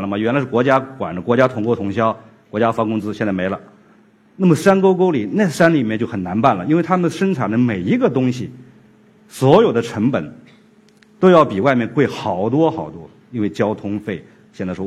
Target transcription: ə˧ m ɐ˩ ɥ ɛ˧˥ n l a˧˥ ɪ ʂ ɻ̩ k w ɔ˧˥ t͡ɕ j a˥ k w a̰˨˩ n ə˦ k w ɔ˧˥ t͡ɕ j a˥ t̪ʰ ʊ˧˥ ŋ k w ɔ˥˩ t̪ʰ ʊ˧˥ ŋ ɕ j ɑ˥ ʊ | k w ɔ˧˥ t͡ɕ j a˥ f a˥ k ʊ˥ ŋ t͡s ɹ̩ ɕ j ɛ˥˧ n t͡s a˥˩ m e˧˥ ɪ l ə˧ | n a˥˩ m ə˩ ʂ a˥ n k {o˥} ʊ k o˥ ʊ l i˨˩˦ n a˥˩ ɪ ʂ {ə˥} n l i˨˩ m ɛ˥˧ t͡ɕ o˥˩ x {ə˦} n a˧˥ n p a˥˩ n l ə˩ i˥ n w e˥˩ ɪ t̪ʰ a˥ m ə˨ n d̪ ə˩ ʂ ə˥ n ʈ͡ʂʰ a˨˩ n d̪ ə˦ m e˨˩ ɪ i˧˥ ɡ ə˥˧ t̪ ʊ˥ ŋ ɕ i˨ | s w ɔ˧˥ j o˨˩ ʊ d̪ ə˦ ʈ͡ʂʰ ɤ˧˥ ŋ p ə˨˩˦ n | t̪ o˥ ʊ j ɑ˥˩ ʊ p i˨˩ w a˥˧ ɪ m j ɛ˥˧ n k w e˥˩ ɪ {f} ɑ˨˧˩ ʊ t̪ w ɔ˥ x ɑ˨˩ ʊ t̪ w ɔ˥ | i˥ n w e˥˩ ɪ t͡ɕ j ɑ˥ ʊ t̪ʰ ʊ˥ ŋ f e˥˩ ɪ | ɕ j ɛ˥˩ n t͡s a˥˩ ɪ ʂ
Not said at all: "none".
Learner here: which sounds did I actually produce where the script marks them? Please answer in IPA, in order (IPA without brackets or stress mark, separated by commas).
o˥, a˥, ə˨˩, x